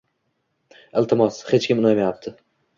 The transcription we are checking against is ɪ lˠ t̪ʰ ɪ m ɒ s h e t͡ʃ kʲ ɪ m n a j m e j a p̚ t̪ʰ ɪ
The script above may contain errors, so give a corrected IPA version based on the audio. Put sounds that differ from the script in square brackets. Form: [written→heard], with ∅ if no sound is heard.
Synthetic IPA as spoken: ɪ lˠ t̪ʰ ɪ m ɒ s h e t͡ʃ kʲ ɪ m n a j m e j a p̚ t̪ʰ ɪ